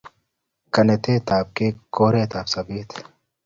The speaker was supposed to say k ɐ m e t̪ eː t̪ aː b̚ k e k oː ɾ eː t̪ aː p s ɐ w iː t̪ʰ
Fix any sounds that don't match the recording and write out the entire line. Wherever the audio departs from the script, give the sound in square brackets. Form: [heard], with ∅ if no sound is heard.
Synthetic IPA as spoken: k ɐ [n] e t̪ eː t̪ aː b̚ k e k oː ɾ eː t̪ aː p s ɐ [b] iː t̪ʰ